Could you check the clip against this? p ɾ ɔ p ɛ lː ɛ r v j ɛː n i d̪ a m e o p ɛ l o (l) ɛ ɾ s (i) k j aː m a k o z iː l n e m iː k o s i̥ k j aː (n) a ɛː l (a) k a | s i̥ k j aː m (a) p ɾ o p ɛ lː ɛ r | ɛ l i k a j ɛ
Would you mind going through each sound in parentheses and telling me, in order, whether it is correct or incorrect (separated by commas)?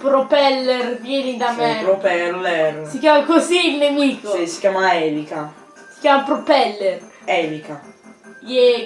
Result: correct, correct, incorrect, incorrect, correct